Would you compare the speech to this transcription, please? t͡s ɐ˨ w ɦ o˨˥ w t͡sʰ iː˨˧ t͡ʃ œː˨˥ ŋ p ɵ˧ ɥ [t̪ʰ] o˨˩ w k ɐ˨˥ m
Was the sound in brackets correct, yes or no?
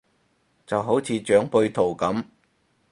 yes